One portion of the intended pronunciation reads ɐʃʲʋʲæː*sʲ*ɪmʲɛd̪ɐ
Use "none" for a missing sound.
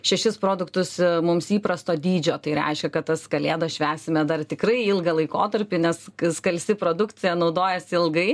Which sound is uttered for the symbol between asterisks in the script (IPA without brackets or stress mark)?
sʲ